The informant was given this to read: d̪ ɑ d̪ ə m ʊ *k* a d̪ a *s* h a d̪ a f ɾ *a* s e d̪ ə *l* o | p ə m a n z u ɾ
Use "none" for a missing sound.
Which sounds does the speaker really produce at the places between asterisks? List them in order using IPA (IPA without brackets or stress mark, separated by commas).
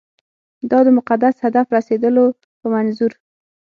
q, s, a, l